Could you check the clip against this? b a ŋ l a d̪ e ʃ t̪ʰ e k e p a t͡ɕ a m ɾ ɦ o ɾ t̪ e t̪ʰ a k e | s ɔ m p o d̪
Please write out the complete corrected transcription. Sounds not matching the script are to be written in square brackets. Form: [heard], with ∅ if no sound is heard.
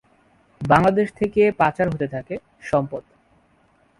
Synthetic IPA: b a ŋ l a d̪ e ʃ t̪ʰ e k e p a t͡ɕ a [∅] ɾ ɦ o [∅] t̪ e t̪ʰ a k e | [ʃ] ɔ m p o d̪